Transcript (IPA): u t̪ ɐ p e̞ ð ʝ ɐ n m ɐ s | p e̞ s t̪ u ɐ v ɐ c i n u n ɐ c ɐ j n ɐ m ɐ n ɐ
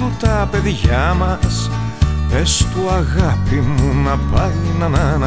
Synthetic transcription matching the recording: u t̪ ɐ p e̞ ð ʝ ɐ m ɐ s | p e̞ s t̪ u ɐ ɣ ɐ p i m u n ɐ p ɐ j n ɐ n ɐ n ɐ